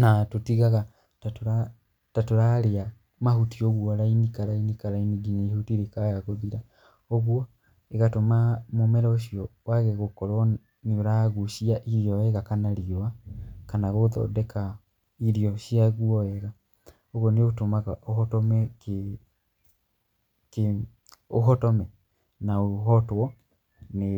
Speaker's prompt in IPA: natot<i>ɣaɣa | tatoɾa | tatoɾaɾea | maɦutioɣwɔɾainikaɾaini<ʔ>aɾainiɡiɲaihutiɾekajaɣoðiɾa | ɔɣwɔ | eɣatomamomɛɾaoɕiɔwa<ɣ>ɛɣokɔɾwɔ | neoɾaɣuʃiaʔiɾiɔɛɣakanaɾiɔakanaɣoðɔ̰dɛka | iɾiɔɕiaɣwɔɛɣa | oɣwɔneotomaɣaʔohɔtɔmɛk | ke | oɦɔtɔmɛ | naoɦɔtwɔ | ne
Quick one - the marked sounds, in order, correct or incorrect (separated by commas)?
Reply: correct, incorrect, correct